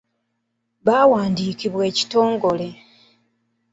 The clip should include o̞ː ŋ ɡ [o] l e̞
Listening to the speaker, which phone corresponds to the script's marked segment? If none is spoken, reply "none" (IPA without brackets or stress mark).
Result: o